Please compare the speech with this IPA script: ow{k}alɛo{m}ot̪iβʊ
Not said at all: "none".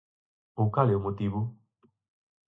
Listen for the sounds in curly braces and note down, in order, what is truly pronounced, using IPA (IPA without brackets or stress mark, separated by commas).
k, m